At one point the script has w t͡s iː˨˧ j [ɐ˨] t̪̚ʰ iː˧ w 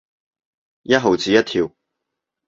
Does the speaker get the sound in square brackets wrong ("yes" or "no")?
yes